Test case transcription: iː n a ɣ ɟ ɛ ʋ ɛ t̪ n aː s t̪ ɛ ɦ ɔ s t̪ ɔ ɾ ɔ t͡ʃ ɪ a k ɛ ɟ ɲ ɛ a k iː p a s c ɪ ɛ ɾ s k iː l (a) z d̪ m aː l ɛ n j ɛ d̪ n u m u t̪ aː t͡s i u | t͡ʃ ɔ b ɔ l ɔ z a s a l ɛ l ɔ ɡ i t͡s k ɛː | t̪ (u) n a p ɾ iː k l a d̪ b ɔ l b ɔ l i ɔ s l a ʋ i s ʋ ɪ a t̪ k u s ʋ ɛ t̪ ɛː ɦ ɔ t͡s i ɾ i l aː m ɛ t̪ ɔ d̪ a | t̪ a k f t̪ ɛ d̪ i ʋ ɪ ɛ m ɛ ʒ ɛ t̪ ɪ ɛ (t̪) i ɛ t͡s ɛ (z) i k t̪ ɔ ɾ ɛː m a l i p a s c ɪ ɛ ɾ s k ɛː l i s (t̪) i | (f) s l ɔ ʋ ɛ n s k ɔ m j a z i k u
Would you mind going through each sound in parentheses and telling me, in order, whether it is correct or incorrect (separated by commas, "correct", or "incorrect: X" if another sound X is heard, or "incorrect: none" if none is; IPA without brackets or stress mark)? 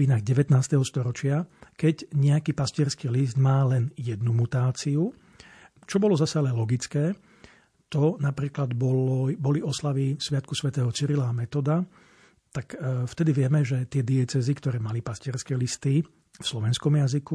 incorrect: i, incorrect: ɔ, incorrect: d̪, correct, correct, correct